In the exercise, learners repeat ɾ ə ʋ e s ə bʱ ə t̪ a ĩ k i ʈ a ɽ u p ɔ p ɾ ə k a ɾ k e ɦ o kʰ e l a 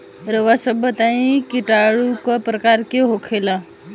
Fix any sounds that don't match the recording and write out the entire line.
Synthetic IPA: ɾ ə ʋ a s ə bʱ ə t̪ a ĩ k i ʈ a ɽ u k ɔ p ɾ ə k a ɾ k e ɦ o kʰ e l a

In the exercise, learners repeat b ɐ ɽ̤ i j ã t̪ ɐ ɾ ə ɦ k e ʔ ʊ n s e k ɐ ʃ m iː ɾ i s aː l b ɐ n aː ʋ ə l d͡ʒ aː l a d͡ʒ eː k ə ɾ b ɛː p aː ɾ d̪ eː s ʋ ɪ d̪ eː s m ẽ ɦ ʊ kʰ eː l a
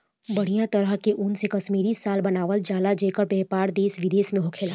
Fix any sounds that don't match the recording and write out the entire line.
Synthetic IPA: b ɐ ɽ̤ i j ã t̪ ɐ ɾ ə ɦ k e ʔ ʊ n s e k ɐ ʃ m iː ɾ i s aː l b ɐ n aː ʋ ə l d͡ʒ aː l a d͡ʒ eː k ə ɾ b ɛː p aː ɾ d̪ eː s ʋ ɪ d̪ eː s m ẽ ɦ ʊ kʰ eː l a

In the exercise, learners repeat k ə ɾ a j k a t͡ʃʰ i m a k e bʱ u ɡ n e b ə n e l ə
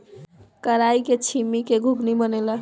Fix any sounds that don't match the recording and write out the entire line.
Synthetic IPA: k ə ɾ a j k e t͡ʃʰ i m i k e ɡʱ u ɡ n i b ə n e l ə

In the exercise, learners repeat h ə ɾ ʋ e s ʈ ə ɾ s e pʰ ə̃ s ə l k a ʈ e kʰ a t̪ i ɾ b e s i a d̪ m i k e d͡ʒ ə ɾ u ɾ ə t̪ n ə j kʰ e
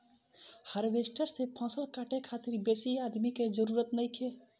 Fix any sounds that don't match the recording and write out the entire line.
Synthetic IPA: h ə ɾ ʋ e s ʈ ə ɾ s e pʰ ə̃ s ə l k a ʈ e kʰ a t̪ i ɾ b e s i a d̪ m i k e d͡ʒ ə ɾ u ɾ ə t̪ n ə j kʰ e

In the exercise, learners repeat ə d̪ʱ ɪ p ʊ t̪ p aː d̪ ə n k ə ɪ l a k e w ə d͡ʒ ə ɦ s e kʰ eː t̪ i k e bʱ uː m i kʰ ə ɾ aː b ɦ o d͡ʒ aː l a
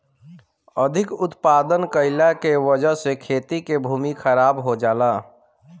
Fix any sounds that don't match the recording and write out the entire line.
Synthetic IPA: ə d̪ʱ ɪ k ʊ t̪ p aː d̪ ə n k ə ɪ l a k e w ə d͡ʒ ə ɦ s e kʰ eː t̪ i k e bʱ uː m i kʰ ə ɾ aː b ɦ o d͡ʒ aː l a

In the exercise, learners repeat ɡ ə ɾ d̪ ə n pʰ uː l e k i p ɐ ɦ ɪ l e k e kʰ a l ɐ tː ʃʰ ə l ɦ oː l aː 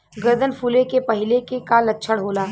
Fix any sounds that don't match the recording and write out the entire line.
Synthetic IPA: ɡ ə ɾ d̪ ə n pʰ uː l e k e p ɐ ɦ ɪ l e k e k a l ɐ tː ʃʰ ə ɽ ɦ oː l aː

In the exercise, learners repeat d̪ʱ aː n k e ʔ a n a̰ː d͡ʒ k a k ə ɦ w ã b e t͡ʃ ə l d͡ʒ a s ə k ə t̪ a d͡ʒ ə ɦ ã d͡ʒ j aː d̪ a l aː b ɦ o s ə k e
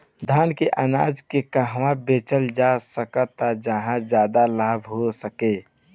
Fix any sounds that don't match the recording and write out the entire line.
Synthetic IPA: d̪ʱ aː n k e ʔ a n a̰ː d͡ʒ k e k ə ɦ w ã b e t͡ʃ ə l d͡ʒ a s ə k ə t̪ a d͡ʒ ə ɦ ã d͡ʒ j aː d̪ a l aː b ɦ o s ə k e

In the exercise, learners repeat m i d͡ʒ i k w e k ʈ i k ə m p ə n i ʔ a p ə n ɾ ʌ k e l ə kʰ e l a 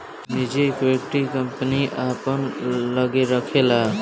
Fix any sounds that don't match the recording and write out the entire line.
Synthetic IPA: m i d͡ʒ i k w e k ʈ i k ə m p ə n i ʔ a p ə n l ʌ ɡ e ɾ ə kʰ e l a

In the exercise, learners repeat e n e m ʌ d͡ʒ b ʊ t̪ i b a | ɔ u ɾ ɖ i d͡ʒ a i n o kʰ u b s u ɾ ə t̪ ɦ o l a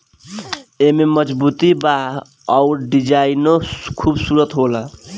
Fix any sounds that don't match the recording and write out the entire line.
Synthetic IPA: e m e m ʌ d͡ʒ b u t̪ i b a | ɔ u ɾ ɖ i d͡ʒ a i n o kʰ u b s u ɾ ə t̪ ɦ o l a

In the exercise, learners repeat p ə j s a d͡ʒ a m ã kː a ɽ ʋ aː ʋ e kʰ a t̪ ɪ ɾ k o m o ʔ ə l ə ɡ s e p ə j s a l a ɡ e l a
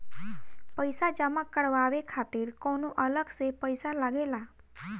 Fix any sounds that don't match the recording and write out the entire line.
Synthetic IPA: p ə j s a d͡ʒ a m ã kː ə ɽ ʋ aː ʋ e kʰ a t̪ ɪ ɾ k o n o ʔ ə l ə ɡ s e p ə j s a l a ɡ e l a

